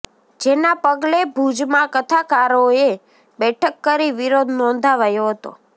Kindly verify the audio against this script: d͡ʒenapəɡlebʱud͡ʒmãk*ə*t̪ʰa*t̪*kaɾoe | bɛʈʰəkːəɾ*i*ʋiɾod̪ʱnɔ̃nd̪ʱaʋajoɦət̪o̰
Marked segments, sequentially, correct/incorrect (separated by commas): correct, incorrect, correct